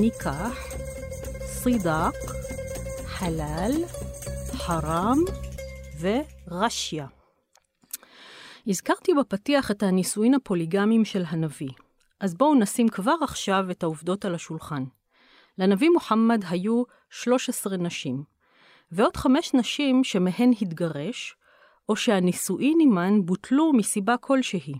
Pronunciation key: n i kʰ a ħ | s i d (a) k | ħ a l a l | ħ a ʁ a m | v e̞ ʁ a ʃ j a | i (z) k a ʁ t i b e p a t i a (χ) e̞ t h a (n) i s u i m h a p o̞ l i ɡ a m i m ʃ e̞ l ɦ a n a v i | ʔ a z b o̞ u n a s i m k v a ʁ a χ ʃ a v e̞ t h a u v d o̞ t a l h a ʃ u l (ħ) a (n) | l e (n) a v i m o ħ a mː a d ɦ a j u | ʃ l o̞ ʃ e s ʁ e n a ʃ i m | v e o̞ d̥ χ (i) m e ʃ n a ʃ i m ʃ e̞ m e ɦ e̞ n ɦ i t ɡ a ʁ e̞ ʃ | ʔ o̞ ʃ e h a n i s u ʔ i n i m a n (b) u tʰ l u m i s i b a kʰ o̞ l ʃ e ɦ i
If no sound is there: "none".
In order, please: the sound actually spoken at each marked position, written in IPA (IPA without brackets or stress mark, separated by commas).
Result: a, z, χ, n, χ, n, n, a, b